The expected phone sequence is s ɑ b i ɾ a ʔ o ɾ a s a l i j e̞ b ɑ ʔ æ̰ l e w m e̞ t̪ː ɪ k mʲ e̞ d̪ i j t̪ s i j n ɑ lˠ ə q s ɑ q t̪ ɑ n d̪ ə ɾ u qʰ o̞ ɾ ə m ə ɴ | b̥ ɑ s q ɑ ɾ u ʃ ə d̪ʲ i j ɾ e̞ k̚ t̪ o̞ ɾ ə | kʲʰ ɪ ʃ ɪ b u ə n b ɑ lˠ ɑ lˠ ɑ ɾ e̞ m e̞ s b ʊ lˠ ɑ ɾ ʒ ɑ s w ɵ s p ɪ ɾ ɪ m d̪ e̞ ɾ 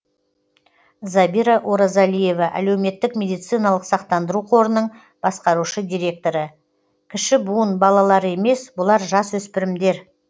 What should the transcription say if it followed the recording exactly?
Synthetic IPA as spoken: z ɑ b i ɾ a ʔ o ɾ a z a l i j e̞ v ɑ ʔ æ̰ l e w m e̞ t̪ː ɪ k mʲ e̞ d̪ i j t̪ s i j n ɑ lˠ ə q s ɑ q t̪ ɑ n d̪ ə ɾ u qʰ o̞ ɾ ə n ə ɴ | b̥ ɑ s q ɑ ɾ u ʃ ə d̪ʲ i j ɾ e̞ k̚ t̪ o̞ ɾ ə | kʲʰ ɪ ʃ ɪ b u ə n b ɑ lˠ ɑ lˠ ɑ ɾ e̞ m e̞ s b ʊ lˠ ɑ ɾ ʒ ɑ s w ɵ s p ɪ ɾ ɪ m d̪ e̞ ɾ